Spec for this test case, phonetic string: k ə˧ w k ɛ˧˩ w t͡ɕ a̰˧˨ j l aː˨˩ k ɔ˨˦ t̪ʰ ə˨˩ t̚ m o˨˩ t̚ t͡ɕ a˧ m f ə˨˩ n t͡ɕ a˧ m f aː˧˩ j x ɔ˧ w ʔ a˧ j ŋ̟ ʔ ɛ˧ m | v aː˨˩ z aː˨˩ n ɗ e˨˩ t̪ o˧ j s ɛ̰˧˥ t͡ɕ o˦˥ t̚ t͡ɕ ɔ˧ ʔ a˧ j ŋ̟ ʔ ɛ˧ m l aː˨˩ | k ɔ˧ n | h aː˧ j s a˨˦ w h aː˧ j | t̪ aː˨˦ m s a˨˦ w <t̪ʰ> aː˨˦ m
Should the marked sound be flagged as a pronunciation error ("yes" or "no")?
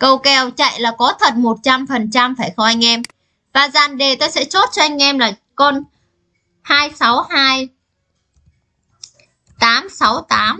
yes